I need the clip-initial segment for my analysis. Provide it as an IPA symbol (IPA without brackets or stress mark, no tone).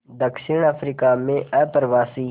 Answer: d̪